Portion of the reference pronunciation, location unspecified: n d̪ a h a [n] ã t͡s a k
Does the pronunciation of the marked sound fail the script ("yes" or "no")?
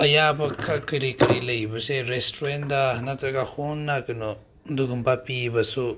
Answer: no